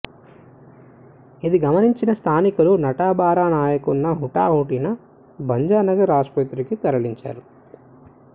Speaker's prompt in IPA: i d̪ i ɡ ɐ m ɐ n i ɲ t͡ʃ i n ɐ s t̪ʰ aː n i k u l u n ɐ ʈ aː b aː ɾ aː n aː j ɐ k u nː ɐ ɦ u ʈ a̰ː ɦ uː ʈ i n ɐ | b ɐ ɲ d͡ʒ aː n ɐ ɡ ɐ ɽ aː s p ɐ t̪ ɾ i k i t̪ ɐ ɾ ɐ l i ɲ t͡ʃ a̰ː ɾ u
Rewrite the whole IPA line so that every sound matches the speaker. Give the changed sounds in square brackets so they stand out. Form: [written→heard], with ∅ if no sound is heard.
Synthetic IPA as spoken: i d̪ i ɡ ɐ m ɐ n i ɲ t͡ʃ i n ɐ s t̪ʰ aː n i k u l u n ɐ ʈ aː b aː ɾ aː n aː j ɐ k u nː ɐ ɦ u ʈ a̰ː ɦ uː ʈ i n ɐ | b ɐ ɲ d͡ʒ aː n ɐ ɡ ɐ [ɽ→ɾ] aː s p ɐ t̪ ɾ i k i t̪ ɐ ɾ ɐ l i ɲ t͡ʃ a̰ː ɾ u